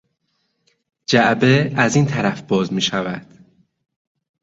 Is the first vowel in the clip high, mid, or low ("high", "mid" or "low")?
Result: low